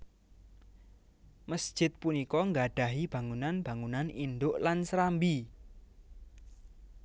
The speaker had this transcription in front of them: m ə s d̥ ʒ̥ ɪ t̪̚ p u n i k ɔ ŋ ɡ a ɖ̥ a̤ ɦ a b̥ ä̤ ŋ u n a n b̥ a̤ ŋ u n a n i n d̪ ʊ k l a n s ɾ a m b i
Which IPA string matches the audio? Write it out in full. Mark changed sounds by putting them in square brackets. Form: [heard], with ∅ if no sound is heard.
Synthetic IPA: m ə s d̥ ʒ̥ ɪ t̪̚ p u n i k ɔ ŋ ɡ a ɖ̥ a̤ ɦ [i] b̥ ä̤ ŋ u n a n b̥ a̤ ŋ u n a n i n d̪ ʊ [ʔ] l a n s ɾ a m b i

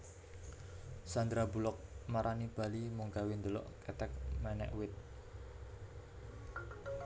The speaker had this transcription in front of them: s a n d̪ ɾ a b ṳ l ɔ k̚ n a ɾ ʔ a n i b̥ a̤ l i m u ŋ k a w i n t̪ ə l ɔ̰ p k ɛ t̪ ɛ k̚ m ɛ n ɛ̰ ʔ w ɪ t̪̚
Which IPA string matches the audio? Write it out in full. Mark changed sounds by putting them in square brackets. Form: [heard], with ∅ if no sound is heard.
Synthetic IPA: s a n d̪ ɾ a b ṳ l ɔ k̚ [m] a ɾ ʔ a n i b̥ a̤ l i m u ŋ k a w i n [d̪] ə l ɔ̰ [ʔ] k ɛ t̪ ɛ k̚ m ɛ n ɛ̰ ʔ w ɪ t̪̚

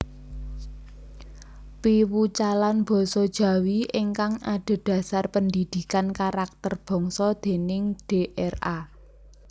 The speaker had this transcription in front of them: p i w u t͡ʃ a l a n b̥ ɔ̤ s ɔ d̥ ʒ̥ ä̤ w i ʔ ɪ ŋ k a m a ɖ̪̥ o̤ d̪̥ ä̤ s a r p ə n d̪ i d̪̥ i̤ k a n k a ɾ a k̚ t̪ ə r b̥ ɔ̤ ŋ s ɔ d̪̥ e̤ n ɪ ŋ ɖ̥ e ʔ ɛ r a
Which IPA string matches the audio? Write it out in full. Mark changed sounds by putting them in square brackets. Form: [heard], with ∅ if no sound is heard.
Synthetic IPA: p i w u t͡ʃ a l a n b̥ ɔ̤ s ɔ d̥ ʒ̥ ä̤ w i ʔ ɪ ŋ k a [ŋ] a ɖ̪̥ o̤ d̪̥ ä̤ s a r p ə n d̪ i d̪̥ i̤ k a n k a ɾ a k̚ t̪ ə r b̥ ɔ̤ ŋ s ɔ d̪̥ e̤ n ɪ ŋ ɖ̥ e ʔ ɛ r a

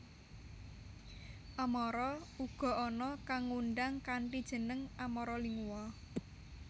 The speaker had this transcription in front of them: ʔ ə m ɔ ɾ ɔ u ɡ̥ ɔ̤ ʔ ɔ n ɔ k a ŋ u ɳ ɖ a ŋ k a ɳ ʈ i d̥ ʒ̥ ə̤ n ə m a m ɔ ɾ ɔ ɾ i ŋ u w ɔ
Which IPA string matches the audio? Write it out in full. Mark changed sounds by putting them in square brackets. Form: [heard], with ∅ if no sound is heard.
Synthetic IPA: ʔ [a] m ɔ ɾ ɔ u ɡ̥ ɔ̤ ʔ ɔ n ɔ k a ŋ u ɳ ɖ a ŋ k a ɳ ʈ i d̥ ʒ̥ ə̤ n ə [ŋ] a m ɔ ɾ ɔ [l] i ŋ u w ɔ

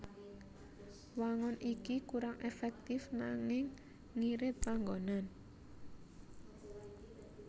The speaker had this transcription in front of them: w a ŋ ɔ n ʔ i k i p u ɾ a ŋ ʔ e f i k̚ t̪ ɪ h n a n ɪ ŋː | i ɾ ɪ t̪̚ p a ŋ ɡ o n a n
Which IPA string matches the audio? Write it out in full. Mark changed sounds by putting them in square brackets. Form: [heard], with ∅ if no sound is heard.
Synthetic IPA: w a ŋ ɔ n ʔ i k i [k] u ɾ a ŋ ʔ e f [ɛ] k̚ t̪ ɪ [f] n a [ŋ] ɪ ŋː | i ɾ ɪ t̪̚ p a ŋ ɡ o n a n

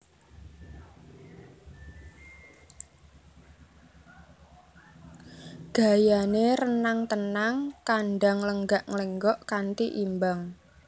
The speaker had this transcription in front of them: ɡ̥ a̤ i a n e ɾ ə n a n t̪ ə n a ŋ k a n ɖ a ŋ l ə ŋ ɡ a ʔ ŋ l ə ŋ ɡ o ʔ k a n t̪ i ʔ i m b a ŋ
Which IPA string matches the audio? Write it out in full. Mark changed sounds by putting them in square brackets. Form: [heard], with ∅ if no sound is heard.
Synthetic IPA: ɡ̥ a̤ [j] a n e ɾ ə n a [ŋ] t̪ ə n a ŋ k a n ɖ a ŋ l ə ŋ ɡ a ʔ ŋ l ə ŋ ɡ [ɔ] ʔ k a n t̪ i ʔ i m b a ŋ

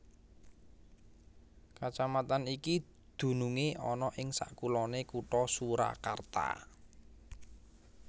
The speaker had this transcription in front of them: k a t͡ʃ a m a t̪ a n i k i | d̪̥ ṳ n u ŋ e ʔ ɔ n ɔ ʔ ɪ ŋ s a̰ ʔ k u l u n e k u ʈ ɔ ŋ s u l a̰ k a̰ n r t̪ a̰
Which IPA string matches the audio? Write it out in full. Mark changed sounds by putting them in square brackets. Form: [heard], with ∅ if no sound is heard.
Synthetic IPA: k a t͡ʃ a m a t̪ a n i k i | d̪̥ ṳ n u ŋ e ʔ ɔ n ɔ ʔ ɪ ŋ s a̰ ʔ k u l [ɔ] n e k u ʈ ɔ [∅] s u [ɾ] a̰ k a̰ [∅] r t̪ a̰

